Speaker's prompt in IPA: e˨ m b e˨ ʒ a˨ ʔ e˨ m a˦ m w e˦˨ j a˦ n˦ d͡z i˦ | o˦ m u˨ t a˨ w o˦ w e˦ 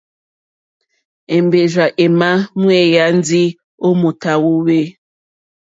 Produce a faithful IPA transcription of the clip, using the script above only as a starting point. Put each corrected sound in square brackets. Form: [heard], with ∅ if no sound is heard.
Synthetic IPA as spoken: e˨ m b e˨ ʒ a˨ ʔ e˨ m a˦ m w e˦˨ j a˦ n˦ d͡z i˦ | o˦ m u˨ t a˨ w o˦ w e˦